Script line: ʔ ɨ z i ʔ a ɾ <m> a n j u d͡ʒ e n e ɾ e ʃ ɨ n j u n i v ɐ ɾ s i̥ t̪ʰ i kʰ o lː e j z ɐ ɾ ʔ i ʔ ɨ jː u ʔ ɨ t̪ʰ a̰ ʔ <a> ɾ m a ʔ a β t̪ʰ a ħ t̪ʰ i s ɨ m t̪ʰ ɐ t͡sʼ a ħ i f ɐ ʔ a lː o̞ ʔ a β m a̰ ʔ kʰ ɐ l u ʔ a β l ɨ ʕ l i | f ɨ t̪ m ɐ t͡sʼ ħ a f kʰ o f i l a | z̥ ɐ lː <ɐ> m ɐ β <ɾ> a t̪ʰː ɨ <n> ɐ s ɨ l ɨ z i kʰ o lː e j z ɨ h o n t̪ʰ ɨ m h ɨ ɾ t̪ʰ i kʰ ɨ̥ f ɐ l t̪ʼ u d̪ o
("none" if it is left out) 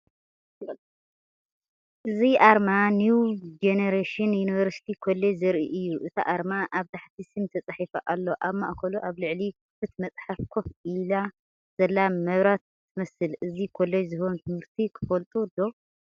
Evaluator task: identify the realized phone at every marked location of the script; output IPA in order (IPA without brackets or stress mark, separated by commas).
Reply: m, a, a, ɾ, m